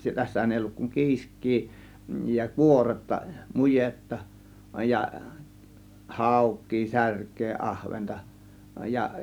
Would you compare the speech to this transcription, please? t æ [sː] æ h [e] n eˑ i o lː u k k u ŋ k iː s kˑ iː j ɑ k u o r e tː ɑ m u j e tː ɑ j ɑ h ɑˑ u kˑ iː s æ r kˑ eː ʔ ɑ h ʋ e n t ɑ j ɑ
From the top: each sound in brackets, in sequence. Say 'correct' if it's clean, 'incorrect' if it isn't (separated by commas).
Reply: correct, incorrect